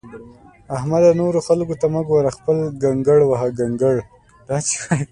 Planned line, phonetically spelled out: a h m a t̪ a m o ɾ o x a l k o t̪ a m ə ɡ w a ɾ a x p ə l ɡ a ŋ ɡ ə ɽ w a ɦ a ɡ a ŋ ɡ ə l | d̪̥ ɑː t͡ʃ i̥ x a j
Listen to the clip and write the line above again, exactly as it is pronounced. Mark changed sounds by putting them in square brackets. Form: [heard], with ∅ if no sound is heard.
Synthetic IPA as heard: a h m a [d̪] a [n] o ɾ o x a l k o t̪ a m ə ɡ w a ɾ a x p ə l ɡ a ŋ ɡ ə ɽ w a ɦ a ɡ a ŋ ɡ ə [ɽ] | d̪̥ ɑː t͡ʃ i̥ x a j